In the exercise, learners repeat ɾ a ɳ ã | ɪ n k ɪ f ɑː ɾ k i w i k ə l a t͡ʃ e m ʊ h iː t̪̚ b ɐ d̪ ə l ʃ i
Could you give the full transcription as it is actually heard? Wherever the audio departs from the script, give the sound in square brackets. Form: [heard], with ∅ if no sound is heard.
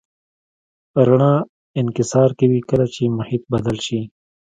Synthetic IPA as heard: ɾ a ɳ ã | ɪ n k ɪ [s] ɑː ɾ k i w i k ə l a t͡ʃ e m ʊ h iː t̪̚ b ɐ d̪ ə l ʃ i